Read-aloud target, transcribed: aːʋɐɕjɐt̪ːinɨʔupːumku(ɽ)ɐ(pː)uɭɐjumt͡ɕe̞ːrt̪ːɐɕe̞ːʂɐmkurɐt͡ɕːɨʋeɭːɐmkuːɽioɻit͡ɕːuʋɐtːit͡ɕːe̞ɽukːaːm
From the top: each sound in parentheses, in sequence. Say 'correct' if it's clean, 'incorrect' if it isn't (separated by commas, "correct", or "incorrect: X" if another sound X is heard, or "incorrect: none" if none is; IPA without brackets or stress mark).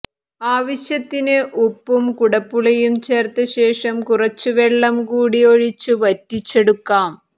correct, correct